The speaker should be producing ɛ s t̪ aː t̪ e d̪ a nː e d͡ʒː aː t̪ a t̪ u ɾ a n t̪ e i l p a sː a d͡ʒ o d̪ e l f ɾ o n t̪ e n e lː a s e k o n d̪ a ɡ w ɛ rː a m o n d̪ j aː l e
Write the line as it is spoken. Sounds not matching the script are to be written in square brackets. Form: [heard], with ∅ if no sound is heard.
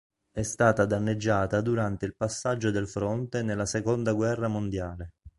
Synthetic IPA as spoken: ɛ s t̪ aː t̪ [a] d̪ a nː e d͡ʒː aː t̪ a [d̪] u ɾ a n t̪ e i l p a sː a [d͡ʒː] o d̪ e l f ɾ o n t̪ e n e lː a s e k o n d̪ a ɡ w ɛ rː a m o n d̪ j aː l e